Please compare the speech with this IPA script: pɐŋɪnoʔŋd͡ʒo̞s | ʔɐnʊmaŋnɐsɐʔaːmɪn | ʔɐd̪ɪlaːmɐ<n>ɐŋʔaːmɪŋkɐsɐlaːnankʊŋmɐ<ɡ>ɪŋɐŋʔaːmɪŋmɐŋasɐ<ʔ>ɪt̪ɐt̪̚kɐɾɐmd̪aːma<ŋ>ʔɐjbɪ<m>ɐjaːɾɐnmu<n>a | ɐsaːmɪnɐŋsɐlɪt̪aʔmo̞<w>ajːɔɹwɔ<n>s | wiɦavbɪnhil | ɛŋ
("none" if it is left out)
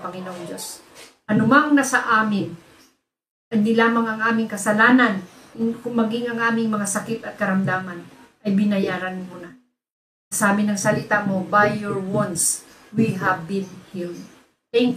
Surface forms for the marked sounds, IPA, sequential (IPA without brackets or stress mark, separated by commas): ŋ, ɡ, k, n, n, n, b, n